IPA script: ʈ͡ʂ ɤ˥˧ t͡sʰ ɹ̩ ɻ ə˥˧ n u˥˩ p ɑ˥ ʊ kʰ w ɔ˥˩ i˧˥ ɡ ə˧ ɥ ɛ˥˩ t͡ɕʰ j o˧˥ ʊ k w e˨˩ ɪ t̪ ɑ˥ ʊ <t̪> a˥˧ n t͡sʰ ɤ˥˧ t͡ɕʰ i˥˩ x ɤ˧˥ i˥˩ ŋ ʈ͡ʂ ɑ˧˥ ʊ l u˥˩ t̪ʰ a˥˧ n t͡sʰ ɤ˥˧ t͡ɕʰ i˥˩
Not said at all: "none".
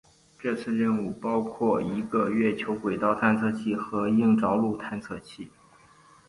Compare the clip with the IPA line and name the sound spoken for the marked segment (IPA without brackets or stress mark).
t̪ʰ